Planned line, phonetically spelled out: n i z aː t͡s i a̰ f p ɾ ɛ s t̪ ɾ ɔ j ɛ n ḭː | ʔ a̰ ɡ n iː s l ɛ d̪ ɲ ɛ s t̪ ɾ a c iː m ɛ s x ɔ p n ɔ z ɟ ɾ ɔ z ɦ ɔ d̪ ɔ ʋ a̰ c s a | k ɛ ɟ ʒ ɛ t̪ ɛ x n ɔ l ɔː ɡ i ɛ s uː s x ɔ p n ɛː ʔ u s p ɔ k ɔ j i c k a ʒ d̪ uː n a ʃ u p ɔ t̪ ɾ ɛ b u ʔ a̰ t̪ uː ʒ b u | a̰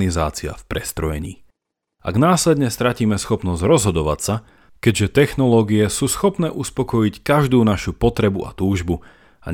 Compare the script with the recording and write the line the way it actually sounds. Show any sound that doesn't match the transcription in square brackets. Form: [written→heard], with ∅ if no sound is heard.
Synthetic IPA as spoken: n i z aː t͡s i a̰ f p ɾ ɛ s t̪ ɾ ɔ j ɛ [n→ɲ] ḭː | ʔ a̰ ɡ n [iː→aː] s l ɛ d̪ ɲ ɛ s t̪ ɾ a c iː m ɛ s x ɔ p n ɔ z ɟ ɾ ɔ z ɦ ɔ d̪ ɔ ʋ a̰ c s a | k ɛ ɟ ʒ ɛ t̪ ɛ x n ɔ l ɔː ɡ i ɛ s uː s x ɔ p n ɛː ʔ u s p ɔ k ɔ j i c k a ʒ d̪ uː n a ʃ u p ɔ t̪ ɾ ɛ b u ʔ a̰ t̪ uː ʒ b u | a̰